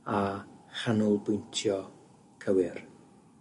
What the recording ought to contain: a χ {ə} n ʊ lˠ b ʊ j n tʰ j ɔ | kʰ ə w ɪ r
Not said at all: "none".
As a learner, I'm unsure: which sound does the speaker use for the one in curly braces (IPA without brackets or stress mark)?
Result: a